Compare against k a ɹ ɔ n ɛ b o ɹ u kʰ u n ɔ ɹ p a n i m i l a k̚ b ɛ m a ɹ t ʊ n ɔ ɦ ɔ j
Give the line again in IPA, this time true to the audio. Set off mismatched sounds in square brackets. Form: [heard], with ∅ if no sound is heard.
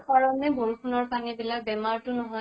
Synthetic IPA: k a ɹ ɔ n ɛ b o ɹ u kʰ u n ɔ ɹ p a n i [b] i l a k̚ b ɛ m a ɹ t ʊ n ɔ ɦ ɔ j